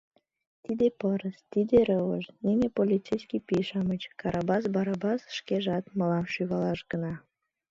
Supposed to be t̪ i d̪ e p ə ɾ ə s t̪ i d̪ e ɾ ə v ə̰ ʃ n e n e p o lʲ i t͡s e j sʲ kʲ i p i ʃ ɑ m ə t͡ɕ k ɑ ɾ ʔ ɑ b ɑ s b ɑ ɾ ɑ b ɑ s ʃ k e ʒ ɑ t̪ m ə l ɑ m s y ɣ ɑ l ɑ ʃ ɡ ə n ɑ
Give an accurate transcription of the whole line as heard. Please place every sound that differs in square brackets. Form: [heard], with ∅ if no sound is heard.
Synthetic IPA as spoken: t̪ i d̪ e p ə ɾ ə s t̪ i d̪ e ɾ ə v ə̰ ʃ n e n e p o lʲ i t͡s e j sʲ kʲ i p i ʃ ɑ m ə t͡ɕ k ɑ ɾ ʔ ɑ b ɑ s b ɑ ɾ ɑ b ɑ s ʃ k e ʒ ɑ t̪ m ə l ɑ m [ʃ] y ɣ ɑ l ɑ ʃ ɡ ə n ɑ